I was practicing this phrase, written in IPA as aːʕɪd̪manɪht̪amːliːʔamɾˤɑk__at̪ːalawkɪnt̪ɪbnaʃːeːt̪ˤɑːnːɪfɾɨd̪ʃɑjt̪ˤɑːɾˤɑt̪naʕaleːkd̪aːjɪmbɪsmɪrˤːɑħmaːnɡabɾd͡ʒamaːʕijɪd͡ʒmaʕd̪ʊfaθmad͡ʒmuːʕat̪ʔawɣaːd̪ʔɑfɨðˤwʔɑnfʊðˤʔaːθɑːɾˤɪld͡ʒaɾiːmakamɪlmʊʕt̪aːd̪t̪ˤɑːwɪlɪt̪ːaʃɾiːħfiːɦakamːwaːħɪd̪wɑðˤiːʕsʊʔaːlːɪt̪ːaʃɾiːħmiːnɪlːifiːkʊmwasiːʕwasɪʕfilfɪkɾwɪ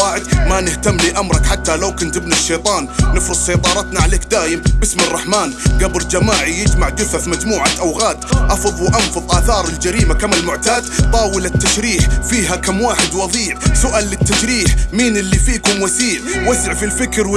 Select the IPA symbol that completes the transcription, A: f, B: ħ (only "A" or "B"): B